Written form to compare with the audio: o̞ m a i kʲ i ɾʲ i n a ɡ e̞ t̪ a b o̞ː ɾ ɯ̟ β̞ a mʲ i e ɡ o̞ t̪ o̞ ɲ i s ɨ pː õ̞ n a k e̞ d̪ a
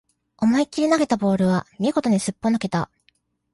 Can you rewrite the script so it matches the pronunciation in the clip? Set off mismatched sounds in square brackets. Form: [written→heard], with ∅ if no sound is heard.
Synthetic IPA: o̞ m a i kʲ i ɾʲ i n a ɡ e̞ t̪ a b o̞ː ɾ ɯ̟ β̞ a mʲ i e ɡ o̞ t̪ o̞ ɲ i s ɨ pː [õ̞→o̞] n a k e̞ [d̪→t̪] a